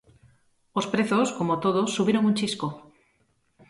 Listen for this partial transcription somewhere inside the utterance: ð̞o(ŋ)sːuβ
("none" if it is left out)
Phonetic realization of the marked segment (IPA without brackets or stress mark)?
none